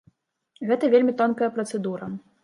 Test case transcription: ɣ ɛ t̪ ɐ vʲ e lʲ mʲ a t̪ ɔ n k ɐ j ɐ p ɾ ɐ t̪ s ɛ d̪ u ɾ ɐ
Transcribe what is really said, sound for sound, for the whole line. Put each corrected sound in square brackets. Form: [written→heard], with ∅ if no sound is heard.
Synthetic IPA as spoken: ɣ ɛ t̪ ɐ vʲ e lʲ mʲ [a→i] t̪ ɔ n k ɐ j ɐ p ɾ ɐ t̪ s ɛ d̪ u ɾ ɐ